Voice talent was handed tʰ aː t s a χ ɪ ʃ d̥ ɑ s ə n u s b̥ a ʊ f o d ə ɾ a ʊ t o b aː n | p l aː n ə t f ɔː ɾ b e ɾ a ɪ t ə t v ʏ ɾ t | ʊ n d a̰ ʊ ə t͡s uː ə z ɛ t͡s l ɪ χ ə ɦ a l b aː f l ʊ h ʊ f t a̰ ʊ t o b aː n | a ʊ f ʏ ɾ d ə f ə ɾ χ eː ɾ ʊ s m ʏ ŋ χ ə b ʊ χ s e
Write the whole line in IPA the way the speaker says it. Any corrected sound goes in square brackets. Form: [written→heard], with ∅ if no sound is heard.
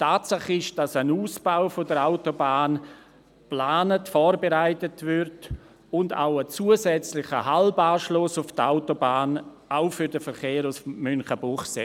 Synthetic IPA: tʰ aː t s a χ ɪ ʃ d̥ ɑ s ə n [u→uː] s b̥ a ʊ f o d ə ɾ a ʊ t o b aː n | p l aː n ə t f ɔː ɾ b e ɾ a ɪ t ə t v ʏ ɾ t | ʊ n d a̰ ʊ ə t͡s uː ə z ɛ t͡s l ɪ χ ə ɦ a l b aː [f→ʃ] l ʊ [h→s] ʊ f t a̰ ʊ t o b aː n | a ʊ f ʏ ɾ d ə f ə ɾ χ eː ɾ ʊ s m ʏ [ŋ→n] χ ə b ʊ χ s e

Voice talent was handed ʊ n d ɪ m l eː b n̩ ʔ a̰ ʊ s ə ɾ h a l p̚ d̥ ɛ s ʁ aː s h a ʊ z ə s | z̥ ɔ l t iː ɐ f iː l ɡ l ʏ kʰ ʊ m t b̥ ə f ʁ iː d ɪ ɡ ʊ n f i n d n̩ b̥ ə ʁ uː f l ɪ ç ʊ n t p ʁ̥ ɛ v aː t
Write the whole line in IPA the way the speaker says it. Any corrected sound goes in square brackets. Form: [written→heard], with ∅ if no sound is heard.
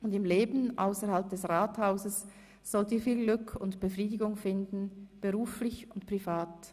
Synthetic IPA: ʊ n d ɪ m l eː b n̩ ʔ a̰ ʊ s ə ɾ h a l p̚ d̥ ɛ s ʁ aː [s→t] h a ʊ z ə s | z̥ ɔ l t iː ɐ f iː l ɡ l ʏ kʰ ʊ [m→n] t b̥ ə f ʁ iː d ɪ ɡ ʊ [n→ŋ] f [i→ɪ] n d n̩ b̥ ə ʁ uː f l ɪ ç ʊ n t p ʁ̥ [ɛ→i] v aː t

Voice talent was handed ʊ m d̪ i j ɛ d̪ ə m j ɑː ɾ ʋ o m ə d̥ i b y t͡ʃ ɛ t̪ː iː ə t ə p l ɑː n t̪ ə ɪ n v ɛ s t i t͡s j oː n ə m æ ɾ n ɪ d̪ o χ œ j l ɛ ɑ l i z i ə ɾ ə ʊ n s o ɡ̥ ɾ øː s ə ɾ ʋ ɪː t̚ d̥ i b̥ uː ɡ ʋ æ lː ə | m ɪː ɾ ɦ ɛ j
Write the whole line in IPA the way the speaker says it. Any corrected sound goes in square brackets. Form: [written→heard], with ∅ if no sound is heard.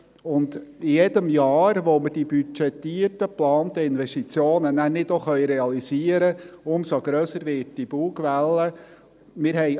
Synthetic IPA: ʊ [m→n] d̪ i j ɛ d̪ ə m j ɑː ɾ ʋ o m ə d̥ i b y t͡ʃ ɛ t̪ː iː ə t ə p l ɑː n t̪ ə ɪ n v ɛ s t i t͡s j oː n ə [m→n] æ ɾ n ɪ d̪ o χ œ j [l→ɾ] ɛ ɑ l i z i ə ɾ ə ʊ [n→m] s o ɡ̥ ɾ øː s ə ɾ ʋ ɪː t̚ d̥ i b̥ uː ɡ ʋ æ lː ə | m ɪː ɾ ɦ ɛ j

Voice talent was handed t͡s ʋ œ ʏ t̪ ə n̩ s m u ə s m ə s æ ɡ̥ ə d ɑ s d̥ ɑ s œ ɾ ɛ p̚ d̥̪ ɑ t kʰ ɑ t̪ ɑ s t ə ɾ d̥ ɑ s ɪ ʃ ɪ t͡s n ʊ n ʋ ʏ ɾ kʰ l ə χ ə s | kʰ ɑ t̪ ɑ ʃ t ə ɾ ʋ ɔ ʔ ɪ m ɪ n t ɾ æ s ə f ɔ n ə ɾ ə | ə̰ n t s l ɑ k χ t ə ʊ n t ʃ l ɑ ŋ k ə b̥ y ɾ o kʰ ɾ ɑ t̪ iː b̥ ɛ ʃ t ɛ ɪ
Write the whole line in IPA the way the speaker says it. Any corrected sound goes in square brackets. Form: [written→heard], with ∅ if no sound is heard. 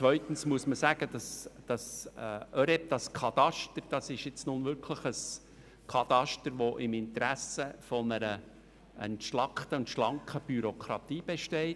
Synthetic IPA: t͡s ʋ œ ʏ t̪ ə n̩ s m u ə s m ə s æ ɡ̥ ə d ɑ s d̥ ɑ s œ ɾ ɛ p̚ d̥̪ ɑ [t→s] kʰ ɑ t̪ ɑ [s→ʃ] t ə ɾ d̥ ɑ s ɪ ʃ ɪ t͡s n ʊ n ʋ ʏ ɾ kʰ l ə χ ə s | kʰ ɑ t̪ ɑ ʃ t ə ɾ ʋ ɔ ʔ ɪ m ɪ n t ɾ æ s ə f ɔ n ə ɾ ə | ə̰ n t [s→ʃ] l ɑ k χ t ə ʊ n t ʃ l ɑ ŋ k ə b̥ y ɾ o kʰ ɾ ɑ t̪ iː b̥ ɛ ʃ t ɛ ɪ

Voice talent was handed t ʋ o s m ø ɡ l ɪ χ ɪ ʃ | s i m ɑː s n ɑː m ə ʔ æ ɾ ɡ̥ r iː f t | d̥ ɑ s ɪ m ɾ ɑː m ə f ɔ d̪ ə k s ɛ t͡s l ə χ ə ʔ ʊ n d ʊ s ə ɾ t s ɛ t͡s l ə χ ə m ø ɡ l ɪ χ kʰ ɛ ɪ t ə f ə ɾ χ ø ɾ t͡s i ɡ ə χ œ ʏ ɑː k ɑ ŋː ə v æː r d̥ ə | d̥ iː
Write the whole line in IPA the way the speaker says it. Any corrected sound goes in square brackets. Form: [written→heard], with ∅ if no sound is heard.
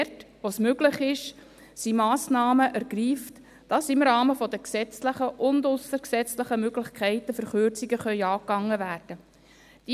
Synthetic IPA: t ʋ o s m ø ɡ l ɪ χ ɪ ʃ | s i m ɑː s n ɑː m ə ʔ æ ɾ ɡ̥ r iː f t | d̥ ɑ s ɪ m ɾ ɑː m ə f ɔ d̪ ə k s ɛ t͡s l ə χ ə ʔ ʊ n d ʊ s ə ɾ [t→k] s ɛ t͡s l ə χ ə m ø ɡ l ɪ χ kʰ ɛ ɪ t ə f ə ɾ χ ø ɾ t͡s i ɡ ə χ œ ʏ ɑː k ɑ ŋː ə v æː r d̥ ə | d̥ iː

